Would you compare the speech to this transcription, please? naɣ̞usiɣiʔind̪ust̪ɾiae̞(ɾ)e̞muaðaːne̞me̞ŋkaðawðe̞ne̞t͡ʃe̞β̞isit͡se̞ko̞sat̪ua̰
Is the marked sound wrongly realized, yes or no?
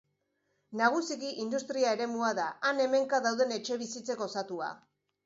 no